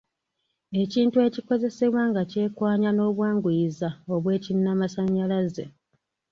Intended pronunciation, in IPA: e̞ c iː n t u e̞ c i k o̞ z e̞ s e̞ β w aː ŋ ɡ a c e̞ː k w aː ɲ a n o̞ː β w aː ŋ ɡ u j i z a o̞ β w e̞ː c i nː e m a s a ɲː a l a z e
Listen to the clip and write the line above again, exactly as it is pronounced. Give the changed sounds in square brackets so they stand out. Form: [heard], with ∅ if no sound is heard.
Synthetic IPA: e̞ c iː n t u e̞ c i k o̞ z e̞ s e̞ β w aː ŋ ɡ a c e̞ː k w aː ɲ a n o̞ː β w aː ŋ ɡ u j i z a o̞ β w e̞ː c i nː [a] m a s a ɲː a l a z e

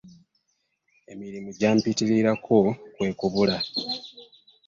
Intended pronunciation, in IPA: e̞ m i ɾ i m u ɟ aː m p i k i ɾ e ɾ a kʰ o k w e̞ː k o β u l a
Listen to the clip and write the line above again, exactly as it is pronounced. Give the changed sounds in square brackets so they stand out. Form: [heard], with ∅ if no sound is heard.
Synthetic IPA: e̞ m i ɾ i m u ɟ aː m p i [t] i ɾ [i] ɾ a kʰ o k w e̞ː k [u] β u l a

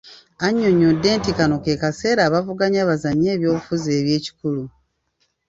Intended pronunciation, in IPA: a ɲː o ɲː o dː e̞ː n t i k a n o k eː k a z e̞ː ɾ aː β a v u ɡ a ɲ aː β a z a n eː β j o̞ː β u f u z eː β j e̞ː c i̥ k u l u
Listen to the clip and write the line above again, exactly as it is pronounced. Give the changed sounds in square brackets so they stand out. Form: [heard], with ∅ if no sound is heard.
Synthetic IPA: a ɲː o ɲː o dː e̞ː n t i k a n o k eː k a [s] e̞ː ɾ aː β a v u ɡ a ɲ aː β a z a [ɲ] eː β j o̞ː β u f u z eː β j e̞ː c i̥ k u l u

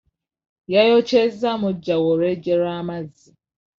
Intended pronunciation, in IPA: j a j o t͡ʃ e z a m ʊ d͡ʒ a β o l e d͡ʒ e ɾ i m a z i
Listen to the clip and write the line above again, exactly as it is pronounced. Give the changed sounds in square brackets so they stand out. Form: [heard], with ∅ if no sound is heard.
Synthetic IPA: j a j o t͡ʃ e z a m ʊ d͡ʒ a [w] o [ɾ] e d͡ʒ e ɾ [a] m a z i

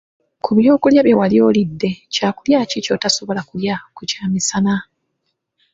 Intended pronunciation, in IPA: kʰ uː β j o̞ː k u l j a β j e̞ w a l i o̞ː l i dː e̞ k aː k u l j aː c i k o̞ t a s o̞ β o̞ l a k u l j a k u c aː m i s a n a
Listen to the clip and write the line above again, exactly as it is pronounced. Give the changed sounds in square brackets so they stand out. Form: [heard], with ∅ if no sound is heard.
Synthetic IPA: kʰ [u] β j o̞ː k u l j a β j e̞ w a l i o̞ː l i dː e̞ [c] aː k u l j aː c i [c] o̞ t a s o̞ β o̞ l a k u l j a k u c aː m i s a n a

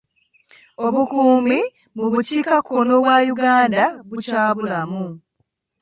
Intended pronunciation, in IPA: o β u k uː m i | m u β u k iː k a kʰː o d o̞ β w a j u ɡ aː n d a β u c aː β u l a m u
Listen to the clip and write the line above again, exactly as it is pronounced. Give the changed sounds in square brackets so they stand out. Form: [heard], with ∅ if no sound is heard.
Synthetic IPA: o β u k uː m i | m u β u [c] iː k a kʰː o [n] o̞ β w a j u ɡ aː n d a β u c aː β u l a m u

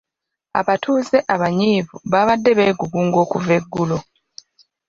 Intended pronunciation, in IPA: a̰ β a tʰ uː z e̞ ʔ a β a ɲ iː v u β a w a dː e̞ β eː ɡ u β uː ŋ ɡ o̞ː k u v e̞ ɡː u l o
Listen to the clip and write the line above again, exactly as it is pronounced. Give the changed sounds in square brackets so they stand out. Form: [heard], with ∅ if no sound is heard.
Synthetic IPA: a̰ β a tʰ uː z e̞ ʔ a β a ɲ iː v u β a [β] a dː e̞ β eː ɡ u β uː ŋ ɡ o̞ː k u v e̞ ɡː u l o

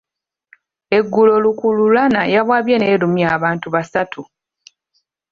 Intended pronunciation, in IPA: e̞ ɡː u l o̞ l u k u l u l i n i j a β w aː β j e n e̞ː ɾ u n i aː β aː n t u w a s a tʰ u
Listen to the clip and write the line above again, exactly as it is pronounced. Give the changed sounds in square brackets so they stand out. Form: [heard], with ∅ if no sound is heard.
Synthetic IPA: e̞ ɡː u l o̞ l u k u l u l [a] n [a] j a β w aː β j e n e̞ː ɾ u [m] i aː β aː n t u [β] a s a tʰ u

